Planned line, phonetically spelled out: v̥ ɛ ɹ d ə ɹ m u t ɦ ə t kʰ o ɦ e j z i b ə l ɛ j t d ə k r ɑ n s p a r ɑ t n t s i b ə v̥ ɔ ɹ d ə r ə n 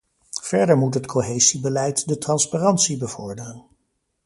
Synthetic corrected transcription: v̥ ɛ ɹ d ə ɹ m u t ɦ ə t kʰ o ɦ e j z i b ə l ɛ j t d ə t r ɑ n s p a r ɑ n t s i b ə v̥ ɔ ɹ d ə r ə n